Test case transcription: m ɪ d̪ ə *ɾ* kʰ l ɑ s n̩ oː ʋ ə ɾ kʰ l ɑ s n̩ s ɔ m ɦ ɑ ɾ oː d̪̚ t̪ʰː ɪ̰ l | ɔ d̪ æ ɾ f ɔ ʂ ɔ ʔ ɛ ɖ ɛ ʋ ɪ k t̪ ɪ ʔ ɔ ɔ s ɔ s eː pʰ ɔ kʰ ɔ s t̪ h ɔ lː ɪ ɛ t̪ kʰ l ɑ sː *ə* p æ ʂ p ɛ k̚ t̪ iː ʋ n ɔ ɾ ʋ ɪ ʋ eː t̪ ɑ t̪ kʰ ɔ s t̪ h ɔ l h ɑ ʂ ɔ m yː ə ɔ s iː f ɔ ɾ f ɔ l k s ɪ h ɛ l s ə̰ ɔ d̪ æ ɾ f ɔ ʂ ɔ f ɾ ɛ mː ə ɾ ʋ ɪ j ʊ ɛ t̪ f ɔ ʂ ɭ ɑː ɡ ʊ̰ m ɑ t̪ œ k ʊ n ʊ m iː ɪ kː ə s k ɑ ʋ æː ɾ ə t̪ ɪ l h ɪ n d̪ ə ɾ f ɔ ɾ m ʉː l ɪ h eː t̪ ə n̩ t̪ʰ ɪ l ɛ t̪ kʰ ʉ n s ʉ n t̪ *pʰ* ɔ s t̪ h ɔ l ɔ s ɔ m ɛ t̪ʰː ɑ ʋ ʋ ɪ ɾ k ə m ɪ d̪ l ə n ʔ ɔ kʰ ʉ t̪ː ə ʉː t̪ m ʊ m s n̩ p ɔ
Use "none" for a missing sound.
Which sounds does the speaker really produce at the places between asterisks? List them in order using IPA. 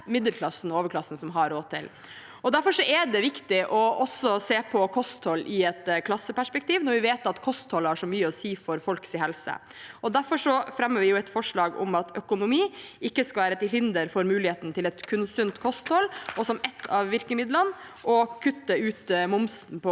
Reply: l, ə, kʰ

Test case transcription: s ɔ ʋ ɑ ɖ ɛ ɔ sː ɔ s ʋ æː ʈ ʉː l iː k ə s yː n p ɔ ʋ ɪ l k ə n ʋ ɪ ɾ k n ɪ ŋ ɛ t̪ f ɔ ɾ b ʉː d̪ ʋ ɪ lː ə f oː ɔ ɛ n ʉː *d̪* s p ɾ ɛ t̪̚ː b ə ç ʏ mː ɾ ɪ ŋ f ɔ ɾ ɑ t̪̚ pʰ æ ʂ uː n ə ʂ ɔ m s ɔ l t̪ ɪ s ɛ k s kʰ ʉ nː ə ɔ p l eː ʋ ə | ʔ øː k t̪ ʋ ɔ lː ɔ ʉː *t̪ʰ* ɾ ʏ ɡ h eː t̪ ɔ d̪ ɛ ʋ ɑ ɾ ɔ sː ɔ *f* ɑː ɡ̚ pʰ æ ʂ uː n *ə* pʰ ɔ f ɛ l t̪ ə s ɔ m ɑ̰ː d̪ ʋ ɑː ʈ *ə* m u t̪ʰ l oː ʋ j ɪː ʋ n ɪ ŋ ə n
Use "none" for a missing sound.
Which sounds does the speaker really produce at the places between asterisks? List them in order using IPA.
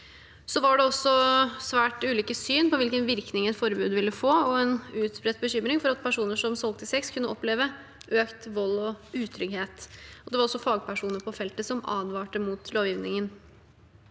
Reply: t̪, t̪ʰ, f, ə, ə

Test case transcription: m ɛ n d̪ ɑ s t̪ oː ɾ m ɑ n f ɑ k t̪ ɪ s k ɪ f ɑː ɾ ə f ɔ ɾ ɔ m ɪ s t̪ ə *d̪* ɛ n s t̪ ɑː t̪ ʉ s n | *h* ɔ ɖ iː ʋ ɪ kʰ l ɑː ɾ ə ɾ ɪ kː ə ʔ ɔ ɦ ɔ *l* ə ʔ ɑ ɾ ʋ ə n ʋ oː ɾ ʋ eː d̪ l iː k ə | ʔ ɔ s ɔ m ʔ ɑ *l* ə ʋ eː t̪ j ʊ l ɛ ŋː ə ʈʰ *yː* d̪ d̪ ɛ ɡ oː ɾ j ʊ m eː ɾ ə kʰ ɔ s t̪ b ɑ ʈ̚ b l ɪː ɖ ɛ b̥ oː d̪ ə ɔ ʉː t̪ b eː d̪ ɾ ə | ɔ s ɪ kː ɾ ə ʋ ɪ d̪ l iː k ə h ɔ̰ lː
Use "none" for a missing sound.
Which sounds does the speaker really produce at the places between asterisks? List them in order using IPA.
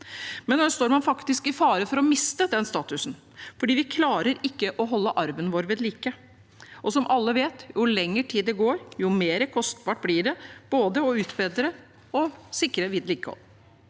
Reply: d̪, f, lː, lː, iː

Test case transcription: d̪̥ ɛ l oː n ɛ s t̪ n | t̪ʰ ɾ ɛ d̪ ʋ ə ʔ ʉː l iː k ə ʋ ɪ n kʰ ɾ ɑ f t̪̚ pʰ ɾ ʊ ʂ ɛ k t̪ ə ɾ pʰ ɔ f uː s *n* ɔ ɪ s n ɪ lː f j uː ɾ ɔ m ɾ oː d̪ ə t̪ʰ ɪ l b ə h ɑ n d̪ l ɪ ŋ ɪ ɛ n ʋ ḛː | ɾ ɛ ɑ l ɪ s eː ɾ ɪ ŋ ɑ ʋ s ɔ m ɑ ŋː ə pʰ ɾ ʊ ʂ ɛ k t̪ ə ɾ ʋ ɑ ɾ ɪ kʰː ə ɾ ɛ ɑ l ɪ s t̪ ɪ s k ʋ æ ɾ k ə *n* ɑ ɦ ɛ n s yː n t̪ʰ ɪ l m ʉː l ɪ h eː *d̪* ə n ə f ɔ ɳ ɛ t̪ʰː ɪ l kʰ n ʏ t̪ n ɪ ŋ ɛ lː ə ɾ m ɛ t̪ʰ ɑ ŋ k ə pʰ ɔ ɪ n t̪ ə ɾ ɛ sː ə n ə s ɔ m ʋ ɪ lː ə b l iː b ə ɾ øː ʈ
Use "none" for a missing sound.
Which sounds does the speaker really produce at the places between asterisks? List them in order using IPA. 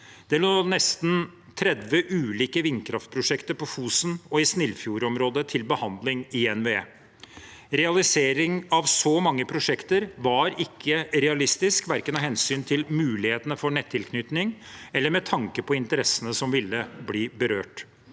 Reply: n, n, t̪

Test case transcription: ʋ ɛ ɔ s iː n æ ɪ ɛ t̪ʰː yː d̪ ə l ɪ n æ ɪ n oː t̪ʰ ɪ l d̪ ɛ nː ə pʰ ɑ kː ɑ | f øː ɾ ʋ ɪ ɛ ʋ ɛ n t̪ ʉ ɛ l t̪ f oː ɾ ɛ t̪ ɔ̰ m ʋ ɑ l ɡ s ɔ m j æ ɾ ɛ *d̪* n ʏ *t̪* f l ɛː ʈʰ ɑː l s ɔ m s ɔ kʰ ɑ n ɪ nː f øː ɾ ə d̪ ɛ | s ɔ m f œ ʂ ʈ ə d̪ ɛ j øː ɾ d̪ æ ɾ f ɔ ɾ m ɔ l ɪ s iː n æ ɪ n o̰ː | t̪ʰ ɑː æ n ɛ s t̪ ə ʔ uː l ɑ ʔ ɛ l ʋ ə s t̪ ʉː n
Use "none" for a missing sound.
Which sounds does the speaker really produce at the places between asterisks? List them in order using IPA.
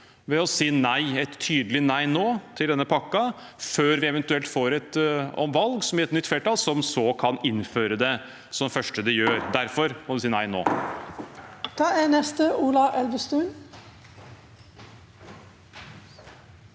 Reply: t̪, t̪

